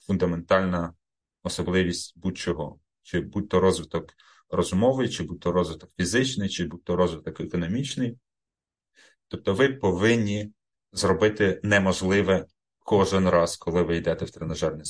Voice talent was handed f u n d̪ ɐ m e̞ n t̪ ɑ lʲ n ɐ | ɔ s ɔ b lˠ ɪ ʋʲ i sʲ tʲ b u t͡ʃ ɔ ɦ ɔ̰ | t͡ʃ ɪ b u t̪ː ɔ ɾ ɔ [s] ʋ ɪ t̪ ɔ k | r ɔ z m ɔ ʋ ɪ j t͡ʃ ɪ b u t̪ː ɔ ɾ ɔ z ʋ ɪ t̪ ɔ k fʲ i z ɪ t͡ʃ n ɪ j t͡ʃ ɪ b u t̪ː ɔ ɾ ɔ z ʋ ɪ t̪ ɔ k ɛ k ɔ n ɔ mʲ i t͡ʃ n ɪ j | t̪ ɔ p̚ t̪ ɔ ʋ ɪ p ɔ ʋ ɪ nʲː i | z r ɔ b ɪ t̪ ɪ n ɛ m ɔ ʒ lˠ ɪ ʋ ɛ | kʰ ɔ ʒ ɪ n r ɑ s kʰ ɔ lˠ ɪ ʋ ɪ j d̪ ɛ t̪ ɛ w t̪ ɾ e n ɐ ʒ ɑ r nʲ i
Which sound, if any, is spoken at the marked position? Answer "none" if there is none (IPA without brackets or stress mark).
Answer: z